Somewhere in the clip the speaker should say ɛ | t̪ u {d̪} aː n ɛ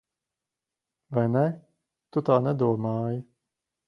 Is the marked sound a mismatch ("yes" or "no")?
yes